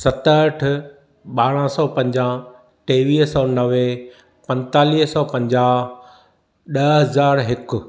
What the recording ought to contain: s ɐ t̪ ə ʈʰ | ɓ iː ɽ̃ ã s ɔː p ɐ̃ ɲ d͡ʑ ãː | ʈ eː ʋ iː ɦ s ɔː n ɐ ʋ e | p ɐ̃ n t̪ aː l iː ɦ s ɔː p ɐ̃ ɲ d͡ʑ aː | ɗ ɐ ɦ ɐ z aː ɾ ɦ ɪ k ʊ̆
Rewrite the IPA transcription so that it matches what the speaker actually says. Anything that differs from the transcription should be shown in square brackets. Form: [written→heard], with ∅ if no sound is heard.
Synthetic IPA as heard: s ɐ t̪ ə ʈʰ | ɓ [iː→aː] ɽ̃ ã s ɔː p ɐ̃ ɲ d͡ʑ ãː | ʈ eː ʋ iː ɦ s ɔː n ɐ ʋ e | p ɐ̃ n t̪ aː l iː ɦ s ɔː p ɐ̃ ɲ d͡ʑ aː | ɗ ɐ ɦ ɐ z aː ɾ ɦ ɪ k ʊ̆

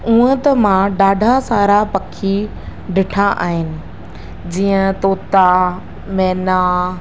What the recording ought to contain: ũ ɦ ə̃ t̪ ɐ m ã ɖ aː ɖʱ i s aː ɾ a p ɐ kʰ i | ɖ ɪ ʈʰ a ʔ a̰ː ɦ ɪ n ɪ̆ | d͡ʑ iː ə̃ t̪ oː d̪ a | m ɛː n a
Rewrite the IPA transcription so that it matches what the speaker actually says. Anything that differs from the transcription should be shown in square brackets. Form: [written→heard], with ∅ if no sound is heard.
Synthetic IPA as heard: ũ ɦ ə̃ t̪ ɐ m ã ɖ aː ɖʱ [i→a] s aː ɾ a p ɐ kʰ i | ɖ ɪ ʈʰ a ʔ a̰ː ɦ ɪ n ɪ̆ | d͡ʑ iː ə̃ t̪ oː [d̪→t̪] a | m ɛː n a

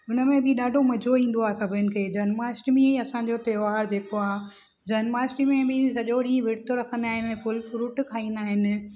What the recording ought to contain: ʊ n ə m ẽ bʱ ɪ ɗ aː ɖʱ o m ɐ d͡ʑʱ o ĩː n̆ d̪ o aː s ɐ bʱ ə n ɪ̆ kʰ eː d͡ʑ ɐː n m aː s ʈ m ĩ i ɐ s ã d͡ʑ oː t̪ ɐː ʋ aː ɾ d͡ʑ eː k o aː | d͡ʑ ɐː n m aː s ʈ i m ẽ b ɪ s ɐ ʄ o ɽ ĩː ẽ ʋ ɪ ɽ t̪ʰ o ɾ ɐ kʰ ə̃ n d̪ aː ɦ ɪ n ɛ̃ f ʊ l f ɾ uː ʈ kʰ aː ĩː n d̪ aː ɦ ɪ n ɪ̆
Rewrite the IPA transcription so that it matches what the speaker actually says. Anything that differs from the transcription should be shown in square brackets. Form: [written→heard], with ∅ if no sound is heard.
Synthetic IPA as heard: ʊ n ə m ẽ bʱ ɪ ɗ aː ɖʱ o m ɐ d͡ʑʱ o ĩː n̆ d̪ o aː s ɐ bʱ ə n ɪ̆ kʰ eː d͡ʑ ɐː n m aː s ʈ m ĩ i ɐ s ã d͡ʑ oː t̪ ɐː ʋ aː ɾ d͡ʑ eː k o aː | d͡ʑ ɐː n m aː s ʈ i m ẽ b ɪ s ɐ ʄ o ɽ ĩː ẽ ʋ ɪ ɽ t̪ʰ o ɾ ɐ kʰ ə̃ n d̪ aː ɦ ɪ n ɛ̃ f ʊ l f ɾ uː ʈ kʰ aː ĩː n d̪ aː ɦ ɪ n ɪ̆

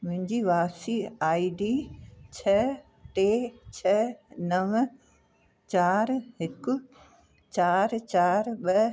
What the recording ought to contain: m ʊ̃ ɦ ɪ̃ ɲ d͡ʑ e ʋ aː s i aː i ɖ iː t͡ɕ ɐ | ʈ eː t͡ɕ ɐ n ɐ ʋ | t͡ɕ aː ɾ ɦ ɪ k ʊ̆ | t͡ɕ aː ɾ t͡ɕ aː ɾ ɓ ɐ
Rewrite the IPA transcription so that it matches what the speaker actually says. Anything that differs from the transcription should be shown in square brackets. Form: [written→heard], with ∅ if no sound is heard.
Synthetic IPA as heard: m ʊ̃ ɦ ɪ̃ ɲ d͡ʑ [e→i] ʋ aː s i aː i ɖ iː [t͡ɕ→t͡ɕʰ] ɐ | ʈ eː [t͡ɕ→t͡ɕʰ] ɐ n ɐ ʋ | t͡ɕ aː ɾ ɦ ɪ k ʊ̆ | t͡ɕ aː ɾ t͡ɕ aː ɾ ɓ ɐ

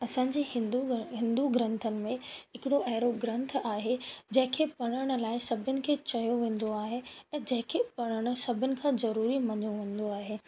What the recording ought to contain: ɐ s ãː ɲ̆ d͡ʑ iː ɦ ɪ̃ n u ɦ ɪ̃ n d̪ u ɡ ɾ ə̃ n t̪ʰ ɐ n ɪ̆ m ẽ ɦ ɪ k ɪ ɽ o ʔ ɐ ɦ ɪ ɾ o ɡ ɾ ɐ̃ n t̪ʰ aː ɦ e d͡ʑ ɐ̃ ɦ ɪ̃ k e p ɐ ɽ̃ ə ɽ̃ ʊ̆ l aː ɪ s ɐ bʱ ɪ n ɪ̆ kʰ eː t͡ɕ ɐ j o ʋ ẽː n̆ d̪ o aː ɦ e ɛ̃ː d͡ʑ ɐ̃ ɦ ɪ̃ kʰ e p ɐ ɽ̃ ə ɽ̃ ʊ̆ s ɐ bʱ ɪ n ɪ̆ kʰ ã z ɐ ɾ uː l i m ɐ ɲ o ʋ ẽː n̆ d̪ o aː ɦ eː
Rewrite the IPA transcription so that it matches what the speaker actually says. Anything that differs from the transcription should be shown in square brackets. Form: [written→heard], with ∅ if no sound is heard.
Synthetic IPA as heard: ɐ s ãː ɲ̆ d͡ʑ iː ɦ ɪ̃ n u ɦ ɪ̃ n d̪ u ɡ ɾ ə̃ n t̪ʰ [ɐ→ə] n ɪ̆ m ẽ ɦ ɪ k ɪ ɽ o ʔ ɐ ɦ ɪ ɾ o ɡ ɾ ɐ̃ n t̪ʰ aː ɦ e d͡ʑ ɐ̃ ɦ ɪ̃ [k→kʰ] e p ɐ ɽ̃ ə ɽ̃ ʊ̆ l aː ɪ s ɐ bʱ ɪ n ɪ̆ kʰ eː t͡ɕ ɐ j o ʋ ẽː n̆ d̪ o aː ɦ e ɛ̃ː d͡ʑ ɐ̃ ɦ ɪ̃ kʰ e p ɐ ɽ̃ ə ɽ̃ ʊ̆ s ɐ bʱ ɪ n ɪ̆ kʰ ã z ɐ ɾ uː [l→ɾ] i m ɐ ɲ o ʋ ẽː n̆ d̪ o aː ɦ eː

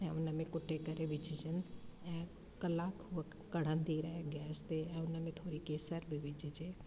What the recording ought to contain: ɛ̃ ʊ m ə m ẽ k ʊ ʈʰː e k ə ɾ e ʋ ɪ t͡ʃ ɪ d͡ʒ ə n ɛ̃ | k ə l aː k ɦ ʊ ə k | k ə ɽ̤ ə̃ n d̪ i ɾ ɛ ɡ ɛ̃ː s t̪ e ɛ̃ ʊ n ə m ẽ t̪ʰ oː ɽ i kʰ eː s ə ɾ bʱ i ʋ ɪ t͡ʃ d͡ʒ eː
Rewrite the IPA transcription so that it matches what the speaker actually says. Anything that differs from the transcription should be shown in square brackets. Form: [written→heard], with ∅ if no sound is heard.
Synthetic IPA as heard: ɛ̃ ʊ [m→n] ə m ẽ k ʊ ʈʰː e k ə ɾ e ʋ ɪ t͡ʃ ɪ d͡ʒ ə n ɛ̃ | k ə l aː k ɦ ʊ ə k | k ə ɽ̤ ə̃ n d̪ i ɾ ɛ ɡ [ɛ̃ː→ɛː] s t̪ e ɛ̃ ʊ n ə m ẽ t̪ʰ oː [ɽ→ɾ] i [kʰ→k] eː s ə ɾ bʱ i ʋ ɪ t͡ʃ d͡ʒ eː

